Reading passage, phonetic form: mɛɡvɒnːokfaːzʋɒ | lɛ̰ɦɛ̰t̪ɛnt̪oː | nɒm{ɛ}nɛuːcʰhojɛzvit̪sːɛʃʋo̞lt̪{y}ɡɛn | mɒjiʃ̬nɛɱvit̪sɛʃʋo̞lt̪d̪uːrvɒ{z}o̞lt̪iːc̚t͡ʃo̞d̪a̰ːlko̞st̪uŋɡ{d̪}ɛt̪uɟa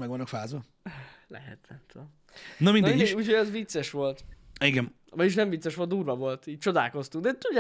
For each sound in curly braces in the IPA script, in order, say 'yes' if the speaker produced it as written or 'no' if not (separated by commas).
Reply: no, no, no, yes